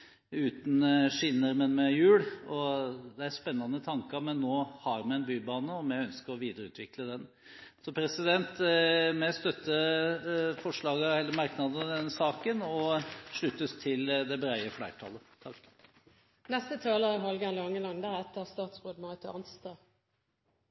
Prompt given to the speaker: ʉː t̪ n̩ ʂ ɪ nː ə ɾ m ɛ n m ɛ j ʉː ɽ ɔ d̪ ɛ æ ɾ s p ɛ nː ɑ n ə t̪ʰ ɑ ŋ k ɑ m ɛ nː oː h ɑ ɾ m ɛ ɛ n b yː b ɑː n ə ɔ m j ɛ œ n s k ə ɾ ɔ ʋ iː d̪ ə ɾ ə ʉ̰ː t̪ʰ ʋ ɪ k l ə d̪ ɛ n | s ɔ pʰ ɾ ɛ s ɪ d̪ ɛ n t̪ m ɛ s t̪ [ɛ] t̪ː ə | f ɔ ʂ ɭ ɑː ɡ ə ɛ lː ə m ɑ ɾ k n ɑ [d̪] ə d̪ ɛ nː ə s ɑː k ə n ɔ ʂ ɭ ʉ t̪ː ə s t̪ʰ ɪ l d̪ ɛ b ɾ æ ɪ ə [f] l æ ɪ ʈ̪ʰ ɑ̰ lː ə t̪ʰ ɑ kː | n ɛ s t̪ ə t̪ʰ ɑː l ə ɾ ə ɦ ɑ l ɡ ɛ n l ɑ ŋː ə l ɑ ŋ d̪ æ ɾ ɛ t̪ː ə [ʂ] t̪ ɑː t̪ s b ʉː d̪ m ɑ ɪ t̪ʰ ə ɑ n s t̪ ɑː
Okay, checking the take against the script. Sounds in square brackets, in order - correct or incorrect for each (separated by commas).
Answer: incorrect, correct, correct, incorrect